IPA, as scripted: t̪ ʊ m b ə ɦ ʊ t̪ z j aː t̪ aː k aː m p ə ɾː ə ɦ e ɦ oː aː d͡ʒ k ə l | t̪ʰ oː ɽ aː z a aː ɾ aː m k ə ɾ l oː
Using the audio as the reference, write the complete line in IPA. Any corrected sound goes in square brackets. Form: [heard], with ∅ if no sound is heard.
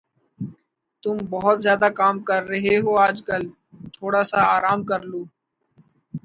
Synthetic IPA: t̪ ʊ m b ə ɦ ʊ t̪ z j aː [d̪] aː k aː m [k] ə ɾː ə ɦ e ɦ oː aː d͡ʒ k ə l | t̪ʰ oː ɽ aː [s] a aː ɾ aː m k ə ɾ l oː